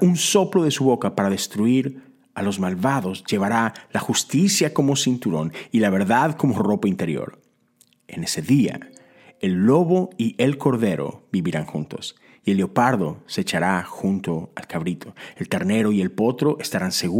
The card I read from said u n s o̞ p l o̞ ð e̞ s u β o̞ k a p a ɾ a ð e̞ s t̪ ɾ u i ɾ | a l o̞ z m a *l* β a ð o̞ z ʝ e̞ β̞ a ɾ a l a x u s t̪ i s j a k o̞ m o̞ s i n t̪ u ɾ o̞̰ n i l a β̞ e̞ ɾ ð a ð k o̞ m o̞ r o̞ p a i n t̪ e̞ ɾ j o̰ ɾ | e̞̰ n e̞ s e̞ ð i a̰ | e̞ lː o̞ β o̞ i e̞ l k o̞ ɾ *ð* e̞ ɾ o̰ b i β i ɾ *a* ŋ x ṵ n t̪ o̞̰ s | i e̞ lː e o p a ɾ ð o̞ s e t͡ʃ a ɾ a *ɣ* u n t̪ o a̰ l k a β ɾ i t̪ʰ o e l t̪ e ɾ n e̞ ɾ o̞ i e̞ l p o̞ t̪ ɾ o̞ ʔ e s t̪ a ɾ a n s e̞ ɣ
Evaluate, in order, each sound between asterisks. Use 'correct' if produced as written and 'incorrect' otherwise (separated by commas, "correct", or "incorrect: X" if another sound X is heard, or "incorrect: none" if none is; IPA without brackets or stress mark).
correct, correct, correct, incorrect: x